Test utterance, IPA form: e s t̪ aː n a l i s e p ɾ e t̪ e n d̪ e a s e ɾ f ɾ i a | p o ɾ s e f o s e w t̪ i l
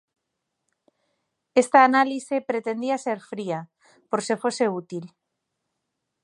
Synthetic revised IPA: e s t̪ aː n a l i s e p ɾ e t̪ e n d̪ i a s e ɾ f ɾ i a | p o ɾ s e f o s e u t̪ i l

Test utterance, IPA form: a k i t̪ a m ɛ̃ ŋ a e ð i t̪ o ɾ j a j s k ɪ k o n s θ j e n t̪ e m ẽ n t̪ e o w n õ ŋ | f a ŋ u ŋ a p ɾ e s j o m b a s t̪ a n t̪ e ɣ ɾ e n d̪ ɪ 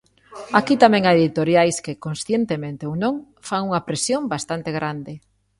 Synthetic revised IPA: a k i t̪ a m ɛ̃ ŋ a e ð i t̪ o ɾ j a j s k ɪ k o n s θ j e n t̪ e m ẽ n t̪ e o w n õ ŋ | f a ŋ u ŋ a p ɾ e s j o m b a s t̪ a n t̪ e ɣ ɾ a n d̪ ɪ

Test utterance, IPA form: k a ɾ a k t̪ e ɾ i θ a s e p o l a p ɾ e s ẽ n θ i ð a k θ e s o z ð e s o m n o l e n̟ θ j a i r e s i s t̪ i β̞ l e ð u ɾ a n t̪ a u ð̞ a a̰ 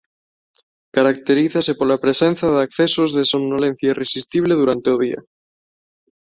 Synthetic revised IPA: k a ɾ a k t̪ e ɾ i θ a s e p o l a p ɾ e s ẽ n θ a ð a k θ e s o z ð e s o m n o l e n̟ θ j a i r e s i s t̪ i β̞ l e ð u ɾ a n t̪ e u ð̞ i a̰

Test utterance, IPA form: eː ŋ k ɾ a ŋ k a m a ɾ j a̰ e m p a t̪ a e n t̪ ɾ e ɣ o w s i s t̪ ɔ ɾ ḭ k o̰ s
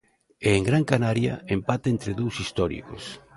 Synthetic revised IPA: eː ŋ ɡ ɾ a ŋ k a n a ɾ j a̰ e m p a t̪ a e n t̪ ɾ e ð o w s i s t̪ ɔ ɾ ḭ k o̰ s

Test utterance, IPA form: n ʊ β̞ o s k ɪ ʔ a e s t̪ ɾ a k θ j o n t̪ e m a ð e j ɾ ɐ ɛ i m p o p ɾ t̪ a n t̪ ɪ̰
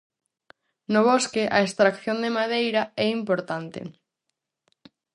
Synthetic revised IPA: n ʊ β̞ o s k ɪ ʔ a e s t̪ ɾ a k θ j o n d̪ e m a ð e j ɾ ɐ ɛ i m p o ɾ t̪ a n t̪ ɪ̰

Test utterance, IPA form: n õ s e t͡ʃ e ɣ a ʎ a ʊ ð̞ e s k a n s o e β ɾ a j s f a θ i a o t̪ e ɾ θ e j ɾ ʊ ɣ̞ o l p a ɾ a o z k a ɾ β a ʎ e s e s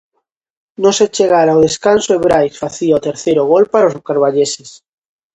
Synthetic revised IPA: n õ s e t͡ʃ e ɣ a ɾ a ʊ ð̞ e s k a n s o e β ɾ a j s f a θ i a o t̪ e ɾ θ e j ɾ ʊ ɣ̞ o l p a ɾ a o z k a ɾ β a ʎ e s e s

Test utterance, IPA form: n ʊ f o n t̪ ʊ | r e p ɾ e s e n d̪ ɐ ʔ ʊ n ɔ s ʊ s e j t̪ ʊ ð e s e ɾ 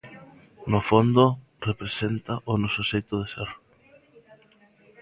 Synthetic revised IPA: n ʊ f o n d̪ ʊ | r e p ɾ e s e n t̪ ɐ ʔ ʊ n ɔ s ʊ s e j t̪ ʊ ð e s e ɾ

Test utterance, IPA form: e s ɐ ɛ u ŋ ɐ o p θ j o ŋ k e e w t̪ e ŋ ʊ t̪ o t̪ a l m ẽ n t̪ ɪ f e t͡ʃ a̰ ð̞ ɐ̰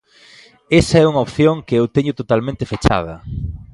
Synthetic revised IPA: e s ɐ ɛ u ŋ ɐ o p θ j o ŋ k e e w t̪ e ɲ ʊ t̪ o t̪ a l m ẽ n t̪ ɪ f e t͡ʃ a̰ ð̞ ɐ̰

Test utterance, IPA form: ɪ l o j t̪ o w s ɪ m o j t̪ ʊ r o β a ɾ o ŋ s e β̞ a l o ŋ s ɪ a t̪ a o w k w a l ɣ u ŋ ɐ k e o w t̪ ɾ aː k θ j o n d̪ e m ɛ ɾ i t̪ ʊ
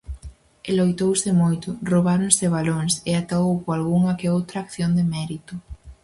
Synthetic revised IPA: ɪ l o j t̪ o w s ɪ m o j t̪ ʊ r o β a ɾ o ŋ s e β̞ a l o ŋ s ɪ a t̪ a o w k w a l ɣ u ŋ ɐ k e o w t̪ ɾ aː k θ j o n d̪ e m ɛ ɾ i t̪ ʊ

